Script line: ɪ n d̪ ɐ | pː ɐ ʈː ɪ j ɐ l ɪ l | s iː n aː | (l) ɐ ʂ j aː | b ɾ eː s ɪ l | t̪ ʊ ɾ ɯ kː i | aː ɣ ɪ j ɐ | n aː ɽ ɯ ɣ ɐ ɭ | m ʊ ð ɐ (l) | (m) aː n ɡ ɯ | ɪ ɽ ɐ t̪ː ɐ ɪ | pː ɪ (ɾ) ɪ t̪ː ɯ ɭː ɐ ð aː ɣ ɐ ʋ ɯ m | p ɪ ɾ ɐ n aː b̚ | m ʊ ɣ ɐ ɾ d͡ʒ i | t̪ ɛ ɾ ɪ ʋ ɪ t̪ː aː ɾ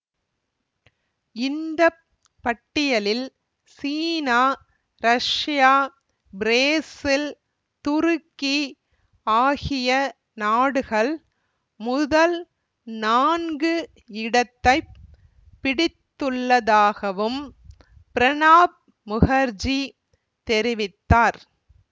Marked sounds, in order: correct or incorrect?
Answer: incorrect, correct, incorrect, incorrect

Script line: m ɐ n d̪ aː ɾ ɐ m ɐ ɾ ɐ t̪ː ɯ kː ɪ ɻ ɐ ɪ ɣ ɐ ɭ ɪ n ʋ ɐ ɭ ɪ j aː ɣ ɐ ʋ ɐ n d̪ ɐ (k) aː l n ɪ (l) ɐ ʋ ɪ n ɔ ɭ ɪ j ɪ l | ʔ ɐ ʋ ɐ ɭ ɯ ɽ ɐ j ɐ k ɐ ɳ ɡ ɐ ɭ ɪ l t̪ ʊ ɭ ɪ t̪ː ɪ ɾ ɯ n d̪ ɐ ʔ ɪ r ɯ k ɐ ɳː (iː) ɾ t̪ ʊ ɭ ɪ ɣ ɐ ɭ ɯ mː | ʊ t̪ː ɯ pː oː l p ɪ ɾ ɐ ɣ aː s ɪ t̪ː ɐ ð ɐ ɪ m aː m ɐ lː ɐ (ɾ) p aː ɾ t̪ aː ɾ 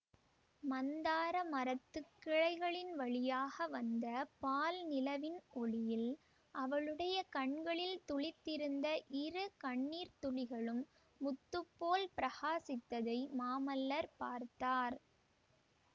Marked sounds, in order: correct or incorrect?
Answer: incorrect, correct, correct, correct

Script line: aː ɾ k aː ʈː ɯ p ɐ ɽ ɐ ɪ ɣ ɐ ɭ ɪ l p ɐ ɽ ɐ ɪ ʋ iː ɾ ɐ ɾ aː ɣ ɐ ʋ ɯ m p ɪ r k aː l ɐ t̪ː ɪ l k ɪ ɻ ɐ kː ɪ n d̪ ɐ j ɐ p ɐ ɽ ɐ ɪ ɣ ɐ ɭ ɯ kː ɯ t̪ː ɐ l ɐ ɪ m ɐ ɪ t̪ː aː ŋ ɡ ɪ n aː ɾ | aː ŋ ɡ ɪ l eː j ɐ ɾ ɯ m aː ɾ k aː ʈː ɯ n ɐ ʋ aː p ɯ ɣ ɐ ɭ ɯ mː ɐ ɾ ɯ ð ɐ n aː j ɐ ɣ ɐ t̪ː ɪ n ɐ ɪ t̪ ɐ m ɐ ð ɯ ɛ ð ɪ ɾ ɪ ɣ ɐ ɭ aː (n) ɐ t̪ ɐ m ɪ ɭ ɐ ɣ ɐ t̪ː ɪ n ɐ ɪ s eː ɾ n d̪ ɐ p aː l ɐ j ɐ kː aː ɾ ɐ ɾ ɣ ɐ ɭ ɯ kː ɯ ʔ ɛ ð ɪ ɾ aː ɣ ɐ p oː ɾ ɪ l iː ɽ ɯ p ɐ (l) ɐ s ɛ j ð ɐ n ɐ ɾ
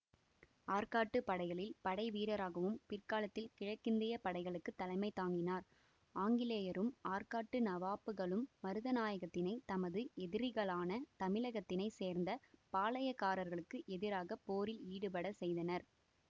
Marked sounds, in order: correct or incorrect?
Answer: correct, incorrect

